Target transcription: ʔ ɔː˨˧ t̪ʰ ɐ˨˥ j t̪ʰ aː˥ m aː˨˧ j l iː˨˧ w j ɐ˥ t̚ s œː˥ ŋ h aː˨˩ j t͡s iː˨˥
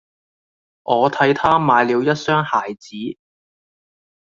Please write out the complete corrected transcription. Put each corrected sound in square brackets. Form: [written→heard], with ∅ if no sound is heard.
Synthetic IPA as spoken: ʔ ɔː˨˧ t̪ʰ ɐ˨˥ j t̪ʰ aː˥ m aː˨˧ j l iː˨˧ w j ɐ˥ t̚ s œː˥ ŋ h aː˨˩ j t͡s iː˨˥